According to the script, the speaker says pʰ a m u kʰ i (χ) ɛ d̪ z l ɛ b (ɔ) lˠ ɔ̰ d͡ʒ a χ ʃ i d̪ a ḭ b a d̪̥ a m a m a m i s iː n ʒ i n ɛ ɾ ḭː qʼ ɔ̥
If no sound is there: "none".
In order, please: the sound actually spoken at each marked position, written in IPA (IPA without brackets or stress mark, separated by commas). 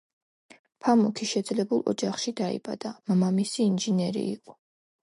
ʃ, u